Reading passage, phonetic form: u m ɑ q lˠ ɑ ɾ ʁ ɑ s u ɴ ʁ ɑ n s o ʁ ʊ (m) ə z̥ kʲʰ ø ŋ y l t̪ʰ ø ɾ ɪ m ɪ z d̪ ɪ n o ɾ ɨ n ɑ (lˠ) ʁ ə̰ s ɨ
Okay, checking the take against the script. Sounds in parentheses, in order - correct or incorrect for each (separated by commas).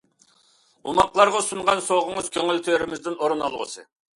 incorrect, correct